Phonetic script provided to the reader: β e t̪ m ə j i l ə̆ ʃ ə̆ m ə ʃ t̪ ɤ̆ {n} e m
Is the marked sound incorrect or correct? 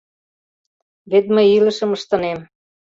correct